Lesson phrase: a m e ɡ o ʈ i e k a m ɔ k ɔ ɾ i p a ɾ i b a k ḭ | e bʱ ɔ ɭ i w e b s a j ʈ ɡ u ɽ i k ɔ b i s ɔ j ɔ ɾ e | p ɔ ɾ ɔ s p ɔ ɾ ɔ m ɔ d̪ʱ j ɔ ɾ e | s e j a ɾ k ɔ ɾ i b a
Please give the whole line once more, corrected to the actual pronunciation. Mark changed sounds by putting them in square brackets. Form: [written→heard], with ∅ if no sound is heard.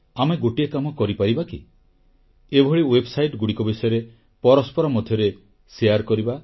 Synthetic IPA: a m e ɡ o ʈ i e k a m ɔ k ɔ ɾ i p a ɾ i b a k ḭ | e bʱ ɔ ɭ i w e b s a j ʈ ɡ u ɽ i k ɔ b i s ɔ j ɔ ɾ e | p ɔ ɾ ɔ s p ɔ ɾ ɔ m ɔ d̪ʱ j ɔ ɾ e | s e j a ɾ k ɔ ɾ i b a